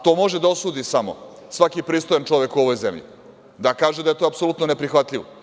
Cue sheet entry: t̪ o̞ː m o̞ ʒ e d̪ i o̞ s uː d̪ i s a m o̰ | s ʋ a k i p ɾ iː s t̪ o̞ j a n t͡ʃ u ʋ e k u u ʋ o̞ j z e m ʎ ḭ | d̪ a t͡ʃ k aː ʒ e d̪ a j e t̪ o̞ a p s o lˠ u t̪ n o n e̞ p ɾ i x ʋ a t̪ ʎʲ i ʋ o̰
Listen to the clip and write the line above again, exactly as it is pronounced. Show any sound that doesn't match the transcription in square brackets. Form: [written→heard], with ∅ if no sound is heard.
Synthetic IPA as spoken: t̪ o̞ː m o̞ ʒ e d̪ [i→a] o̞ s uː d̪ i s a m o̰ | s ʋ a k i p ɾ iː s t̪ o̞ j a n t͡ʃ [u→o] ʋ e k u [u→o] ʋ o̞ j z e m ʎ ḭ | d̪ a [t͡ʃ→∅] k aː ʒ e d̪ a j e t̪ o̞ a p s o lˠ u t̪ n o n e̞ p ɾ i x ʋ a t̪ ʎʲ i ʋ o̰